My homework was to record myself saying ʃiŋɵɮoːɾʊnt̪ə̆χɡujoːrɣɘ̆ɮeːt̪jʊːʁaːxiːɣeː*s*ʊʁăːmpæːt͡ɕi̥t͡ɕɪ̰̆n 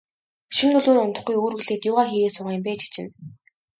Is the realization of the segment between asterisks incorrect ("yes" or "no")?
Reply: no